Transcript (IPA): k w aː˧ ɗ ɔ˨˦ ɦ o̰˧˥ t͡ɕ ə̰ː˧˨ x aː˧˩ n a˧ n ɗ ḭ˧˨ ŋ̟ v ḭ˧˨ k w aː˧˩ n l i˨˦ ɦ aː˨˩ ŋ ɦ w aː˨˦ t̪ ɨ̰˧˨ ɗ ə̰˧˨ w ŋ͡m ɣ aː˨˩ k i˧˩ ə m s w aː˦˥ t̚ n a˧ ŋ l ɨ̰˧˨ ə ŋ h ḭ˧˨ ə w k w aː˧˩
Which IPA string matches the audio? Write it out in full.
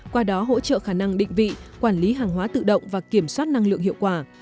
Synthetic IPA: k w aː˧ ɗ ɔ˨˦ ɦ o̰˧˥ t͡ɕ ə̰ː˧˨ x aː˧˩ n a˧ ŋ ɗ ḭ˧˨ ŋ̟ v ḭ˧˨ k w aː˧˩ n l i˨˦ ɦ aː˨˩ ŋ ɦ w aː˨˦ t̪ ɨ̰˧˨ ɗ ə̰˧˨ w ŋ͡m v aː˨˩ k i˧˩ ə m s w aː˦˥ t̚ n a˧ ŋ l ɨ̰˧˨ ə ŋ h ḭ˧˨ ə w k w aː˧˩

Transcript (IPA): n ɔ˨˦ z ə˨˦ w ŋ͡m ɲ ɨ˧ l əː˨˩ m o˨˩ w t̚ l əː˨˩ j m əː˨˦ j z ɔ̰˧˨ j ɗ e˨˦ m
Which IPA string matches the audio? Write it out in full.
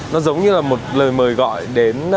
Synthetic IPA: n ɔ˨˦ z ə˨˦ w ŋ͡m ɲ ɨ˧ l aː˨˩ m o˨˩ t̚ l əː˨˩ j m əː˨˩ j ɣ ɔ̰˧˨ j ɗ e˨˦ n

